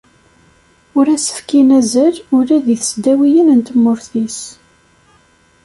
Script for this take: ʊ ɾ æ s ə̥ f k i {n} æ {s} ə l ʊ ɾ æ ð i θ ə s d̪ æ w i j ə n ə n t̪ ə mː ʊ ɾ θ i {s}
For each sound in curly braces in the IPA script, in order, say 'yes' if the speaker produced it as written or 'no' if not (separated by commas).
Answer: yes, no, yes